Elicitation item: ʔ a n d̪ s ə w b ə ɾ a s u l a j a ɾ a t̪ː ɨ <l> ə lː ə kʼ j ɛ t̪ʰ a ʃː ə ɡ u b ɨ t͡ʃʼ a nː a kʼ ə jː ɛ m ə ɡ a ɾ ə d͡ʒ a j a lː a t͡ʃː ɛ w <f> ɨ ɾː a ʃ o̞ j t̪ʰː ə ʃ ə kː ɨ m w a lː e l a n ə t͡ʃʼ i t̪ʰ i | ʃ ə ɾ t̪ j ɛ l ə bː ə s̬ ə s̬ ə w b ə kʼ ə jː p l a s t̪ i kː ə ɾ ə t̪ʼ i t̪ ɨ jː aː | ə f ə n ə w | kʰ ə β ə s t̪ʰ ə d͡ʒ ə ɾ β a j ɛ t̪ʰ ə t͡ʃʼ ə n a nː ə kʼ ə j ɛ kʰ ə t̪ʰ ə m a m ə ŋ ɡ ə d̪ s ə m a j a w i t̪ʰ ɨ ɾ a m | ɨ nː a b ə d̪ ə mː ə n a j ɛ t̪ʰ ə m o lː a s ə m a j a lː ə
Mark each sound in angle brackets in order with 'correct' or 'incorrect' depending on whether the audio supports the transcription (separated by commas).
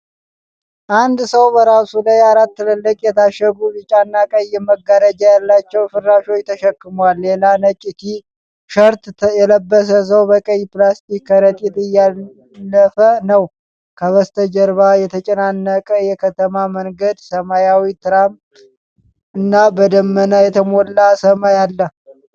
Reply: correct, correct